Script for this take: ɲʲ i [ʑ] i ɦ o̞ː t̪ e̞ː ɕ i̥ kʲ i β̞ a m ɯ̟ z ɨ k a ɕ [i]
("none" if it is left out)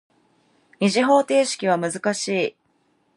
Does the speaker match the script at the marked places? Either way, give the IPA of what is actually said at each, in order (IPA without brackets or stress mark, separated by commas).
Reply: ʑ, iː